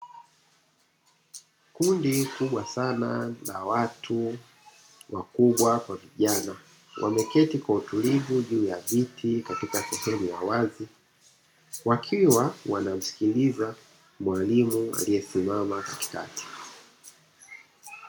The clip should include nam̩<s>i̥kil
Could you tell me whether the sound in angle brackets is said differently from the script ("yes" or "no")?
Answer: no